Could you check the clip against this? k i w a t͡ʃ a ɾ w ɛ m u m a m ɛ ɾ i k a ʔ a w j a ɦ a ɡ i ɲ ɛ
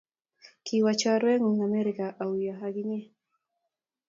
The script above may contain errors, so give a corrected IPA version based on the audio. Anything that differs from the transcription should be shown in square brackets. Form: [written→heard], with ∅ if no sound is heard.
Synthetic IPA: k i w a t͡ʃ a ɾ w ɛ [m→ŋ] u [m→ŋ] a m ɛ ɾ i k a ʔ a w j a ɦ a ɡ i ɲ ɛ